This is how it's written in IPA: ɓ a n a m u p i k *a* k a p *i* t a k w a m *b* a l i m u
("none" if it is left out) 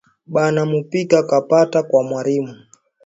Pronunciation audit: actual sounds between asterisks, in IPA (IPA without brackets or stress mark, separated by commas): a, a, w